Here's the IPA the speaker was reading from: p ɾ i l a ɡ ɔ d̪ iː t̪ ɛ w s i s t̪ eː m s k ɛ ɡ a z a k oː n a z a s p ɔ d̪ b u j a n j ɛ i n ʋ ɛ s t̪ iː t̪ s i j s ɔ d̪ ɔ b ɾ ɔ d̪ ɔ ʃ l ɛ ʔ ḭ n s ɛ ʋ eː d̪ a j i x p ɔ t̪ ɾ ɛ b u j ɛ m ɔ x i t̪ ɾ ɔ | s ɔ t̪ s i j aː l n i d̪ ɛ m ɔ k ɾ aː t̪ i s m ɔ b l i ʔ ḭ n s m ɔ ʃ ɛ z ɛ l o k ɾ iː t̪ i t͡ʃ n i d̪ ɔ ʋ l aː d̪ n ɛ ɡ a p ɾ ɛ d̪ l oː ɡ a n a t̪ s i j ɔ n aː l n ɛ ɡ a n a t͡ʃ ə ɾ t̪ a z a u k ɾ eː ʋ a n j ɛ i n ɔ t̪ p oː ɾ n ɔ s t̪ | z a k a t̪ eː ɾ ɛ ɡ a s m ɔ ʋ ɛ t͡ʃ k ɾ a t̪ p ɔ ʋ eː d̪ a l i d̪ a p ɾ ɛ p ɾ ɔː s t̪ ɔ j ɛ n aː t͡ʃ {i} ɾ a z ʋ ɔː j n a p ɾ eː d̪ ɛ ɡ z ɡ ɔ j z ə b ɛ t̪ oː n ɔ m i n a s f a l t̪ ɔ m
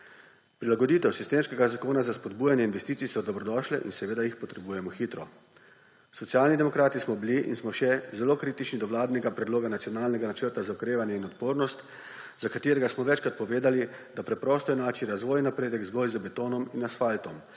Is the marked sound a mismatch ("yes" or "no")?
no